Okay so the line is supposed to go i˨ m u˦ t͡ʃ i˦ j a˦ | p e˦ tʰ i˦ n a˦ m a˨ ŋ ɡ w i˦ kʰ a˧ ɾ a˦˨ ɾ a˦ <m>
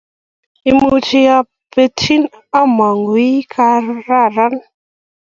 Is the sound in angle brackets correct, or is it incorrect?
incorrect: n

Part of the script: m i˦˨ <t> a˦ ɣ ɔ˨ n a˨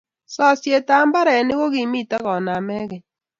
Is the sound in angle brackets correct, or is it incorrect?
correct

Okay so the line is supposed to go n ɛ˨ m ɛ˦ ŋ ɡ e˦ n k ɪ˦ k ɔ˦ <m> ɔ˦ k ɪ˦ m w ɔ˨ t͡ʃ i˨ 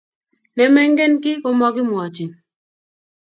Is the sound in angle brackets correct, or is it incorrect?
correct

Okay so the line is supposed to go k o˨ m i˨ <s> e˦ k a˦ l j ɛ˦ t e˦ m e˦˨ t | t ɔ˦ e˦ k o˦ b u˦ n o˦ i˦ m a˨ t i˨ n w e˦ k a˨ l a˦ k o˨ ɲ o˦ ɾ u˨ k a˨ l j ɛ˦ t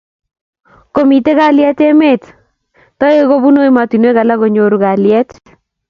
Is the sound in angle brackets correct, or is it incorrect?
incorrect: t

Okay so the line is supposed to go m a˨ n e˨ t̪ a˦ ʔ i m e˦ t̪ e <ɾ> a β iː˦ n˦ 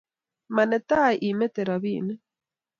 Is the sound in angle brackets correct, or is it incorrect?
correct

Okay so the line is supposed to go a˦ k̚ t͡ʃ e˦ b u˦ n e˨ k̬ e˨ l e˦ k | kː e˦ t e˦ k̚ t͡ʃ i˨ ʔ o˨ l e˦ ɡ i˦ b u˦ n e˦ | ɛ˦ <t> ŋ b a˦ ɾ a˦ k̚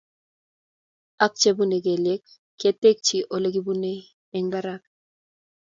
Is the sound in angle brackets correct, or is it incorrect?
incorrect: none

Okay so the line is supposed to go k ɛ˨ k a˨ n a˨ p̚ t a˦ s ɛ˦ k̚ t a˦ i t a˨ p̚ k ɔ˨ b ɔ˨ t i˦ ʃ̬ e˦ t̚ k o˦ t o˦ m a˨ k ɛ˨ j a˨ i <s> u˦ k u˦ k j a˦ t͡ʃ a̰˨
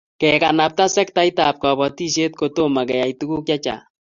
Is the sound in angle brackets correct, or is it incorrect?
incorrect: t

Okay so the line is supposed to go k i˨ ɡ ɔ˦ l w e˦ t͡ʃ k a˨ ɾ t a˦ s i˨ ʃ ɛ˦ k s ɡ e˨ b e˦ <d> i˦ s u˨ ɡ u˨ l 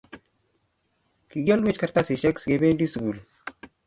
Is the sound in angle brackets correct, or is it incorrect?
correct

